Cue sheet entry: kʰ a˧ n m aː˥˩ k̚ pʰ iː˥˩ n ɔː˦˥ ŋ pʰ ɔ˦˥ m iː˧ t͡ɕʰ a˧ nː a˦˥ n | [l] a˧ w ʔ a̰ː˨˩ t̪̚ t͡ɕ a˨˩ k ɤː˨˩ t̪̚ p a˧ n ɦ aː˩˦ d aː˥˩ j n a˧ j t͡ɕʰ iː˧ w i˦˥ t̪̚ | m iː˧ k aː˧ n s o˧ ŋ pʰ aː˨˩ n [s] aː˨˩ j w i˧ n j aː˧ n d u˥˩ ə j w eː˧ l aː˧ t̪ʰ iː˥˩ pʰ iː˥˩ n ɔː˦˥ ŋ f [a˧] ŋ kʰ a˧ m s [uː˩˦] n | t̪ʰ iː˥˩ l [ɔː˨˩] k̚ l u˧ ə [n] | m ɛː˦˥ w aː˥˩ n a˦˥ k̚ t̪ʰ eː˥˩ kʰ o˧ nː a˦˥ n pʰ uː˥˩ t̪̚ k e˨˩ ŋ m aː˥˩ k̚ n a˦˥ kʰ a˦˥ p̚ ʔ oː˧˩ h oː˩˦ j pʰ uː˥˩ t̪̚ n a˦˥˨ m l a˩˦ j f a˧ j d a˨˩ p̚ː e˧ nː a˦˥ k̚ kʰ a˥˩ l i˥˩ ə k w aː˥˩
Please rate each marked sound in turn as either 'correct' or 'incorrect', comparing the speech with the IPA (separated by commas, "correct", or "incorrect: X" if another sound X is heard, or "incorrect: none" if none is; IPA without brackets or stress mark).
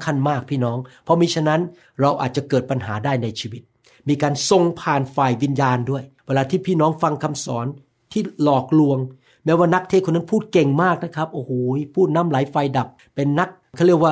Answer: incorrect: ɾ, incorrect: f, correct, incorrect: ɔː˩˦, correct, incorrect: ŋ